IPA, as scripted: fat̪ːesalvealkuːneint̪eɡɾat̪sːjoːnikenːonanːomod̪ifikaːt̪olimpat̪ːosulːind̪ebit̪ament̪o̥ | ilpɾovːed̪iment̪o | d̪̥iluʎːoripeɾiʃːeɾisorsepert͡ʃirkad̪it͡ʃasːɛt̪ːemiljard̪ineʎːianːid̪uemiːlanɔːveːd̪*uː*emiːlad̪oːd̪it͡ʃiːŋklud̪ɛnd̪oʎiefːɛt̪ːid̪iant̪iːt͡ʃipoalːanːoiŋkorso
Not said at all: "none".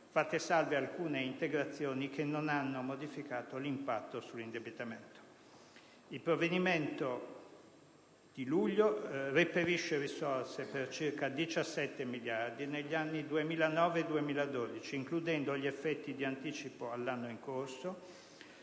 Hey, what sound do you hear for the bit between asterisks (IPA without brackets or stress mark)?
u